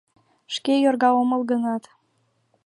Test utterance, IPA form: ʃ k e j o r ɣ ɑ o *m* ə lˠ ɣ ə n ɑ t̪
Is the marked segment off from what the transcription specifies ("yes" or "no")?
no